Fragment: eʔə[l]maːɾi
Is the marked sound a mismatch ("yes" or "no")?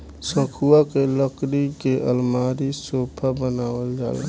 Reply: no